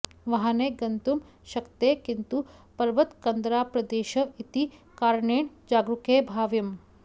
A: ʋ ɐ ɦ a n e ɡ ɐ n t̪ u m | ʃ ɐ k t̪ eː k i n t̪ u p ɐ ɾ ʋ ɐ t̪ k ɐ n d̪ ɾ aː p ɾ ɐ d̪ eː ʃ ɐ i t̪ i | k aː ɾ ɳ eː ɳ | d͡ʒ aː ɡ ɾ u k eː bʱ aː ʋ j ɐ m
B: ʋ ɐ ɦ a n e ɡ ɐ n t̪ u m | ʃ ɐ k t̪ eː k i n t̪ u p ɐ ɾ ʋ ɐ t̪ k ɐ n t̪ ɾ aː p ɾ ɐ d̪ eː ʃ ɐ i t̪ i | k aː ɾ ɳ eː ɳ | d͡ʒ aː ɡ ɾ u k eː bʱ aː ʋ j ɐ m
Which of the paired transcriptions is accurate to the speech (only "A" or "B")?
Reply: A